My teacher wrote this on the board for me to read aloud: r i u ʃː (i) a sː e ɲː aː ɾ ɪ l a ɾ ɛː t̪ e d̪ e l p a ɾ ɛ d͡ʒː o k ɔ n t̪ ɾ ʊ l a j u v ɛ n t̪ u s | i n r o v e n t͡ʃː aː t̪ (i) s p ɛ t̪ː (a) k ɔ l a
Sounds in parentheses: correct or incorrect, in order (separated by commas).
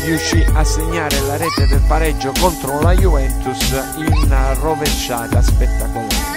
correct, incorrect, correct